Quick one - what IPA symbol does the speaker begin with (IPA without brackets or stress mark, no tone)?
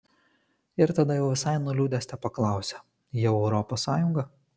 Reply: ɪ